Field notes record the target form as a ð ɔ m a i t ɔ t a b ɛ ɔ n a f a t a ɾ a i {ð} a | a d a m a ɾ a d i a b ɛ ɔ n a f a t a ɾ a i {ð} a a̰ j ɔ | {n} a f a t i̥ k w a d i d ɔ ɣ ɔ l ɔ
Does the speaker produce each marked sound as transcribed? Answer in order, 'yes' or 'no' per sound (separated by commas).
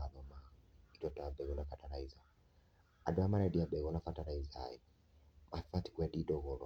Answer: no, no, no